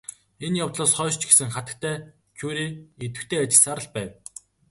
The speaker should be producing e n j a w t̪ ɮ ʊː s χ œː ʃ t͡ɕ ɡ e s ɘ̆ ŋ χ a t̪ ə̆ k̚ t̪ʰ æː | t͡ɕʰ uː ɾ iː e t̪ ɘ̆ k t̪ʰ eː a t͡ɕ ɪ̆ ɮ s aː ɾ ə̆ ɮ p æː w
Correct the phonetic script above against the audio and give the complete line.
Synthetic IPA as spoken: e n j a w t̪ ɮ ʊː s χ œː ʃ t͡ɕ ɡ e s ɘ̆ ŋ χ a t̪ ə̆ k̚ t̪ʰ æː | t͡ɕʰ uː ɾ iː e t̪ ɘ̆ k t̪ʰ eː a t͡ɕ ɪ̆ ɮ s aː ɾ ə̆ ɮ p æː w